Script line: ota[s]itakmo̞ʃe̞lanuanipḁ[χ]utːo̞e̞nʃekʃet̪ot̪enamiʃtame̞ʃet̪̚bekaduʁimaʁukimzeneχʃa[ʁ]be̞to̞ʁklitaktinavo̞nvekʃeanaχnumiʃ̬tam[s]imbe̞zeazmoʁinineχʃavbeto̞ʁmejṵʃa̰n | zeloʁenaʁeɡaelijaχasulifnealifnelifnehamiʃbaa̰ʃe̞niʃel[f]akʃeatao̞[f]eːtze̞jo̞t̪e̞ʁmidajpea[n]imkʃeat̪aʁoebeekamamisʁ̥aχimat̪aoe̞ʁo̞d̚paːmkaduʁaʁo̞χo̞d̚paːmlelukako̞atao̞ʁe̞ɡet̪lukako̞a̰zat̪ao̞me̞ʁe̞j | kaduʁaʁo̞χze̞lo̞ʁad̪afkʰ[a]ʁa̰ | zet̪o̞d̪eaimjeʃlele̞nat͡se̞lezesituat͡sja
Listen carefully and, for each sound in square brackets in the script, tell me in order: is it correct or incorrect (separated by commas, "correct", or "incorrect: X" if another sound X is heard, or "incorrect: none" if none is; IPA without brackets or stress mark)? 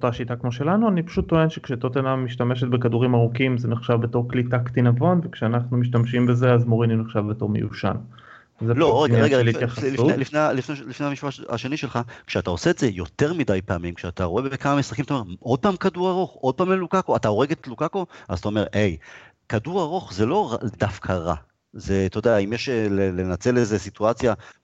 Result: incorrect: ʃ, incorrect: ʃ, incorrect: v, incorrect: ʃ, incorrect: χ, incorrect: s, incorrect: m, correct